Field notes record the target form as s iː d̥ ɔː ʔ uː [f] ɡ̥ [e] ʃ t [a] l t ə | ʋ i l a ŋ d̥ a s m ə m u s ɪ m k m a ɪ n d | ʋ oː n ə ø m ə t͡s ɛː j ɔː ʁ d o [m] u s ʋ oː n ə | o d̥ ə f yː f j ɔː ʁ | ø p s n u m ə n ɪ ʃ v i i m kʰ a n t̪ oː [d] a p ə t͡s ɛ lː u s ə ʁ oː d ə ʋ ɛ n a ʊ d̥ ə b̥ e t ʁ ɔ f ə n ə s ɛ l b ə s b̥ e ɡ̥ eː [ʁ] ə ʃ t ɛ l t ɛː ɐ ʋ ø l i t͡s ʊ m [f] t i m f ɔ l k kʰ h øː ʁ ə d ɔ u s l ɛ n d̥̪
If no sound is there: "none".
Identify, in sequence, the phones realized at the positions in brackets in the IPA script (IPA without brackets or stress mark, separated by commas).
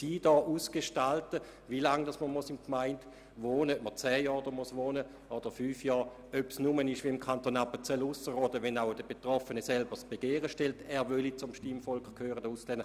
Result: s, e, a, m, n, ʁ, ʃ